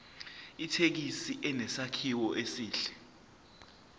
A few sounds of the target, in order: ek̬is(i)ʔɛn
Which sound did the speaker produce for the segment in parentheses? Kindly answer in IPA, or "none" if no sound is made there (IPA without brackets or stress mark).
i